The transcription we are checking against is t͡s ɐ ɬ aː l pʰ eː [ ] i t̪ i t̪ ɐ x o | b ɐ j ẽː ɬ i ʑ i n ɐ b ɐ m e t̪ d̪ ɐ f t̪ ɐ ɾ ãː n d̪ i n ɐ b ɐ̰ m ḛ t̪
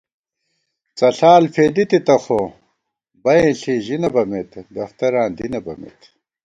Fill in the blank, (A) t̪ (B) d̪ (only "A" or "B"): B